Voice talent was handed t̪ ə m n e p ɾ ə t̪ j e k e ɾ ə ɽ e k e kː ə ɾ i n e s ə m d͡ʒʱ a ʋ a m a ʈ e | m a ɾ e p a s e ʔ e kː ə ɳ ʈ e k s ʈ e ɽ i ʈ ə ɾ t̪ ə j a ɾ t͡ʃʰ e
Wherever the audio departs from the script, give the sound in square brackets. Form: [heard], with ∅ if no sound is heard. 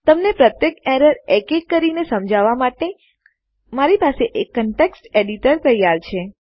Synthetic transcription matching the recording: t̪ ə m n e p ɾ ə t̪ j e k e ɾ ə [ɾ] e k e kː ə ɾ i n e s ə m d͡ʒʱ a ʋ a m a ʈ e | m a ɾ [i] p a s e ʔ e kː ə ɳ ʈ e k s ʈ e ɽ i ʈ ə ɾ t̪ ə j a ɾ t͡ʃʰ e

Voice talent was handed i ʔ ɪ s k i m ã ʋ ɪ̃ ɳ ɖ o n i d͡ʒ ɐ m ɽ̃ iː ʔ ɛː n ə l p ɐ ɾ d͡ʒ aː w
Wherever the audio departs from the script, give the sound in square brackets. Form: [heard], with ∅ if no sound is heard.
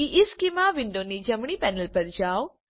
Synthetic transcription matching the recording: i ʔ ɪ s k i m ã ʋ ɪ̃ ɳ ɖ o n i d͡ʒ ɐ m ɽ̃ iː [p] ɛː n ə l p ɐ ɾ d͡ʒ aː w

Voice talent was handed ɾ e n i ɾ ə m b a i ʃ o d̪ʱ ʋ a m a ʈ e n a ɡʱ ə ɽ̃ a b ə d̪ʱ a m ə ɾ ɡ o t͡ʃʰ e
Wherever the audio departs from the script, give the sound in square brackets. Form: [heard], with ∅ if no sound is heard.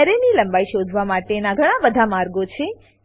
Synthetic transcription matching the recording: ɾ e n i [l] ə m b a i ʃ o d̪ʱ ʋ a m a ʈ e n a ɡʱ ə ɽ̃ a b ə d̪ʱ a m [a] ɾ ɡ o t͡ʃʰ e

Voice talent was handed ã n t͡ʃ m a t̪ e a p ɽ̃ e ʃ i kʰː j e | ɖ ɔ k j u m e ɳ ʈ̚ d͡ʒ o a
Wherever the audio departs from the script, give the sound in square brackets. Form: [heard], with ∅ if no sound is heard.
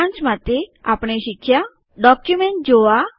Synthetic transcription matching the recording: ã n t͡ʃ m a t̪ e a p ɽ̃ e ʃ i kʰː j [a] | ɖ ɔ k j u m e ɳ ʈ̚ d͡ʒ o a

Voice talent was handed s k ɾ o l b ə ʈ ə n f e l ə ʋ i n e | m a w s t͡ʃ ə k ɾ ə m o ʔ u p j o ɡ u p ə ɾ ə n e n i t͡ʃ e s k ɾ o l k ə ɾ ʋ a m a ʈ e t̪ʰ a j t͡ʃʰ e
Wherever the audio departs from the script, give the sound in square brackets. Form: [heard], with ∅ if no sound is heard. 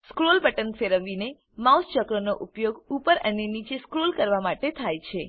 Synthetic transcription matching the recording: s k ɾ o l b ə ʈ ə n f e [ɾ] ə ʋ i n e | m a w s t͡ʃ ə k ɾ ə [n] o ʔ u p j o ɡ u p ə ɾ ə n e n i t͡ʃ e s k ɾ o l k ə ɾ ʋ a m a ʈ e t̪ʰ a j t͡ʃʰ e

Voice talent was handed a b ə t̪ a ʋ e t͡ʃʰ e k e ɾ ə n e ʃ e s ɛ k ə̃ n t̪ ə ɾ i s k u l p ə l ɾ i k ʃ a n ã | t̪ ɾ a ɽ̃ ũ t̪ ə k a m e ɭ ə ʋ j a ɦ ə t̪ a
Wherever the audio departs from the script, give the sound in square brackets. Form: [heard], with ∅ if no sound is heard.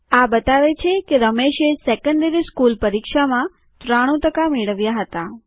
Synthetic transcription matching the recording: a b ə t̪ a ʋ e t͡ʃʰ e k e ɾ ə [m] e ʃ e s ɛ k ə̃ n [d̪] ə ɾ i s k u l p ə [∅] ɾ i k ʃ a [m] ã | t̪ ɾ a ɽ̃ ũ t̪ ə k a m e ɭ ə ʋ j a ɦ ə t̪ a

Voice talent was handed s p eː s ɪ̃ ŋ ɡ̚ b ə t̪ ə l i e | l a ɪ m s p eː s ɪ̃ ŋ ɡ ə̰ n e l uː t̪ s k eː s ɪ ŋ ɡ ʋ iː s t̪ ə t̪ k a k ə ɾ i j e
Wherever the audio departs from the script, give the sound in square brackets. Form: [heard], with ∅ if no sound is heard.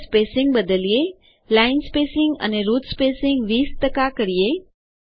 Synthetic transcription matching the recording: s p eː s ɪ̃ ŋ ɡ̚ b ə [d̪] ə l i e | l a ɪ [n] s p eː s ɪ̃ ŋ ɡ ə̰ n e [ɾ] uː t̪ s [p] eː s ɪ ŋ ɡ ʋ iː s t̪ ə [∅] k a k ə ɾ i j e

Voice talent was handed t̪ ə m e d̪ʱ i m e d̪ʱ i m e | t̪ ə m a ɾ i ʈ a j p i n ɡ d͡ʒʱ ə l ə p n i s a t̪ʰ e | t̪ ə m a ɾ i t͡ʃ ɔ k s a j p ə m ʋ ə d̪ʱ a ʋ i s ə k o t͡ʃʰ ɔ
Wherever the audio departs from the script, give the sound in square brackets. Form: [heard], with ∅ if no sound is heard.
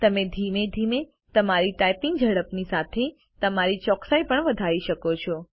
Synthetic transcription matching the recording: t̪ ə m e d̪ʱ i m e d̪ʱ i m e | t̪ ə m a ɾ i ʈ a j p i [ŋ] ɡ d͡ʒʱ ə [ɽ] ə p n i s a t̪ʰ e | t̪ ə m a ɾ i t͡ʃ ɔ k s a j p ə [ɳ] ʋ ə d̪ʱ a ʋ i [ʃ] ə k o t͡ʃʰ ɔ

